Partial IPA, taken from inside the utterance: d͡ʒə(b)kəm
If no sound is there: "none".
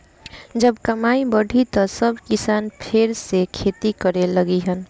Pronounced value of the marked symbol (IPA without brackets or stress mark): b